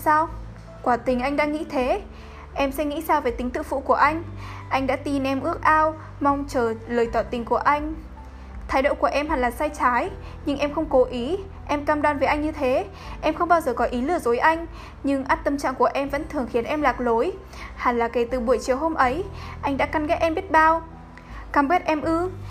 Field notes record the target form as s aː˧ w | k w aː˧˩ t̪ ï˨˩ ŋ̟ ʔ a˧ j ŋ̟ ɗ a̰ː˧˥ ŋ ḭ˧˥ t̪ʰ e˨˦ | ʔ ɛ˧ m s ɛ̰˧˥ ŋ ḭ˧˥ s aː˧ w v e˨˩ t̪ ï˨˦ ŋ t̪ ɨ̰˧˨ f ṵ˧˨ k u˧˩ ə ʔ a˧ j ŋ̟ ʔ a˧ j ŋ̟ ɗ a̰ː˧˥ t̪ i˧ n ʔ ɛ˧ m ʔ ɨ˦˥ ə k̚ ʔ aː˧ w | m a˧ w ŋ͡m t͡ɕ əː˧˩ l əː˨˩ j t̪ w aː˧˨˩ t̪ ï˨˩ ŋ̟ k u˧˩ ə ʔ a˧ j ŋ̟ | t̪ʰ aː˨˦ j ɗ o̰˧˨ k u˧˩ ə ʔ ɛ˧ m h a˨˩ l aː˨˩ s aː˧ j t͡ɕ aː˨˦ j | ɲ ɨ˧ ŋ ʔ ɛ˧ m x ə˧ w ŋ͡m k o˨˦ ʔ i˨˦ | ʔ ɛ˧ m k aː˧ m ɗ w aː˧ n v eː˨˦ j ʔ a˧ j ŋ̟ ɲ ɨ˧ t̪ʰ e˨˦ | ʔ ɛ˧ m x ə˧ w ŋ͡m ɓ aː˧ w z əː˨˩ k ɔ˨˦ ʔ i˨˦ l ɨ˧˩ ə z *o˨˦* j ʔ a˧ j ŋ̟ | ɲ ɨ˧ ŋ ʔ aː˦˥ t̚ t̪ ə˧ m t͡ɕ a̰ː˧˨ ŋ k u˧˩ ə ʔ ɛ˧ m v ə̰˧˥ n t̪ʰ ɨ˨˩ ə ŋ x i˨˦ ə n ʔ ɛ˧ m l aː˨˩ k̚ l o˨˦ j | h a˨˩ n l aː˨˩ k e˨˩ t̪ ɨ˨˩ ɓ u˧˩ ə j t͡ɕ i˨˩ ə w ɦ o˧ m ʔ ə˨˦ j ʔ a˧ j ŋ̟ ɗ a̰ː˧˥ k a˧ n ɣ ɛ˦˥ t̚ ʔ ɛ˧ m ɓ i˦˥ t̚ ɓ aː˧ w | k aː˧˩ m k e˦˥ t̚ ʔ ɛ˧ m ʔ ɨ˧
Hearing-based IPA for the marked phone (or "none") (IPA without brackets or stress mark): o˨˦